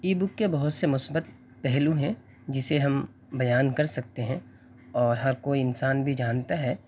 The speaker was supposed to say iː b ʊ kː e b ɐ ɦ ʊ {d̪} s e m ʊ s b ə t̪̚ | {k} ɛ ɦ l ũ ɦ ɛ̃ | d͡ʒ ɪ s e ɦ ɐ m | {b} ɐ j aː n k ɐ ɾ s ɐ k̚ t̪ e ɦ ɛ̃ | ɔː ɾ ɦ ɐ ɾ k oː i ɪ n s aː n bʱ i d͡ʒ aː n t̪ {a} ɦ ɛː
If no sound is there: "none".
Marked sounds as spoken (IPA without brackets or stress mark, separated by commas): t̪, p, b, a